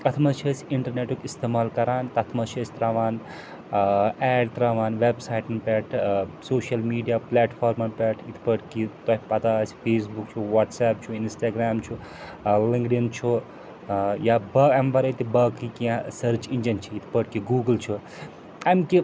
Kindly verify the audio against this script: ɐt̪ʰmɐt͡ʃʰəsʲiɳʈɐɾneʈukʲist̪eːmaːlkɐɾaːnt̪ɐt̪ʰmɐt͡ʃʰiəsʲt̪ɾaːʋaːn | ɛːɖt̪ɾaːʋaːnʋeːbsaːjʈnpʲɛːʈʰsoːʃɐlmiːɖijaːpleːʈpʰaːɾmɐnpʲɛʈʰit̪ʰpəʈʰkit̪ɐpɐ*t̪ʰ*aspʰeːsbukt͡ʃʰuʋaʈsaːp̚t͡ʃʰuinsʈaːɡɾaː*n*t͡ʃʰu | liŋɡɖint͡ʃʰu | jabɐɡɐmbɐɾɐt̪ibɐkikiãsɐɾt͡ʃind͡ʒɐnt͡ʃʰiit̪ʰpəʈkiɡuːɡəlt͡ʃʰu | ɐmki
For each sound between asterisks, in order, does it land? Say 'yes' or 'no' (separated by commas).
no, no